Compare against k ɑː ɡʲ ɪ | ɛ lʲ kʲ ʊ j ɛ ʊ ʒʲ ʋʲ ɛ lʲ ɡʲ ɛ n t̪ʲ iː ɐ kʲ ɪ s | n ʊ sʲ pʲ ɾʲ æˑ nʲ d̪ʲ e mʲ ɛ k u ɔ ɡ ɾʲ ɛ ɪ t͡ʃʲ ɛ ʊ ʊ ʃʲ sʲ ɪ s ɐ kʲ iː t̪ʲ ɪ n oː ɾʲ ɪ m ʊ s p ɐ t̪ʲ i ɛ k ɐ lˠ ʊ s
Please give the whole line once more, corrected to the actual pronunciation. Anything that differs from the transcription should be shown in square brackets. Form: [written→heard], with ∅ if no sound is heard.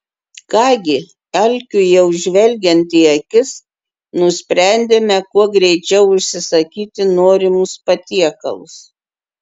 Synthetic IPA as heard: k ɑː ɡʲ ɪ | ɛ lʲ kʲ ʊ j ɛ ʊ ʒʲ ʋʲ ɛ lʲ ɡʲ ɛ n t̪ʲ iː ɐ kʲ ɪ s | n ʊ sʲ pʲ ɾʲ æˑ nʲ d̪ʲ e mʲ ɛ k u ɔ ɡ ɾʲ ɛ ɪ t͡ʃʲ ɛ ʊ ʊ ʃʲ sʲ ɪ s ɐ kʲ iː t̪ʲ ɪ n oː ɾʲ ɪ m ʊ s p ɐ t̪ʲ i ɛ k ɐ lˠ ʊ s